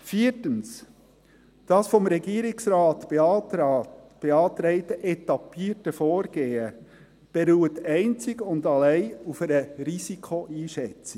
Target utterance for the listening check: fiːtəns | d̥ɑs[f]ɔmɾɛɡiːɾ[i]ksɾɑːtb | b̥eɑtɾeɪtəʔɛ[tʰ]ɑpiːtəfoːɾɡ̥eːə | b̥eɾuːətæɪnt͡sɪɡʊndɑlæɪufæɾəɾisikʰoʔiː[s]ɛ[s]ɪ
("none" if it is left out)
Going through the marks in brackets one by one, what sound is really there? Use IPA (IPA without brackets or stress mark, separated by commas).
f, ɪ, t, ʃ, t͡s